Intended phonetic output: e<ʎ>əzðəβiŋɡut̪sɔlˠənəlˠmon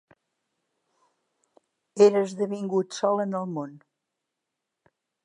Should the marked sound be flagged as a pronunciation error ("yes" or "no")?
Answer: yes